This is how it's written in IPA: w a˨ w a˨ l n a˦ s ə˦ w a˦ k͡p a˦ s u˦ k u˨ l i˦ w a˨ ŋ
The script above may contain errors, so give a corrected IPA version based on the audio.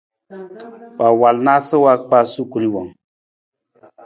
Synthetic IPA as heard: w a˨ w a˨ l n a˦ s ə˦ w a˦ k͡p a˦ s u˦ k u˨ l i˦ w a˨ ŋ